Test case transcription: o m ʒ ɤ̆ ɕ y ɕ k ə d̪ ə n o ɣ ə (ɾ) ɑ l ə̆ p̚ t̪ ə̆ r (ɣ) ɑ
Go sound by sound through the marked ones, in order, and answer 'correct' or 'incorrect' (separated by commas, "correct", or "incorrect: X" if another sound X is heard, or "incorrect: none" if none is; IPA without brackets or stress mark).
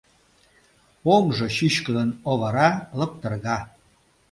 correct, correct